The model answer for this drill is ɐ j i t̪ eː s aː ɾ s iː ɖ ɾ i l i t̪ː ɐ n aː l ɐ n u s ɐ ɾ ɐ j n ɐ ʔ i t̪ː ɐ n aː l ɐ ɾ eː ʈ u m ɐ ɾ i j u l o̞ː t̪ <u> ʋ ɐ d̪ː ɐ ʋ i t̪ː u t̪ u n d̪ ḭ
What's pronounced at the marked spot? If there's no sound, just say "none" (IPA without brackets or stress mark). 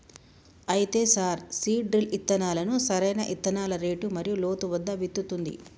u